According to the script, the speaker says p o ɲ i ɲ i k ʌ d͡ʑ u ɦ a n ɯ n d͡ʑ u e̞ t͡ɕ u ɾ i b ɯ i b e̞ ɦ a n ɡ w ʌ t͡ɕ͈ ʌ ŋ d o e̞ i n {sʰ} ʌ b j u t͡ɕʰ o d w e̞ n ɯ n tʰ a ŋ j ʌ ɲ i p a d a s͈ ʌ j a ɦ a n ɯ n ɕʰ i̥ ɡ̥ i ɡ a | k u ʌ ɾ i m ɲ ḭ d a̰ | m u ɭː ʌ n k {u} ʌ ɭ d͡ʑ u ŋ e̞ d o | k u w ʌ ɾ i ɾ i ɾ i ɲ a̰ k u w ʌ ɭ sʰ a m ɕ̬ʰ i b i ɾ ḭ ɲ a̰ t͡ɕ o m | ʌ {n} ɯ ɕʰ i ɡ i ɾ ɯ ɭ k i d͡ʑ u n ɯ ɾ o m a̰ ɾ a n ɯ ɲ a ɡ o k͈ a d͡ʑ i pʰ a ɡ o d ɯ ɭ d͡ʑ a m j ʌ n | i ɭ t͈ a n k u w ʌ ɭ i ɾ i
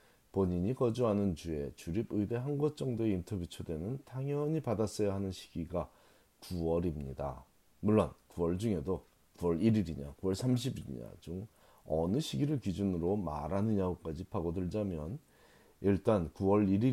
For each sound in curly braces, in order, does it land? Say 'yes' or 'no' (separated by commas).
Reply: no, yes, yes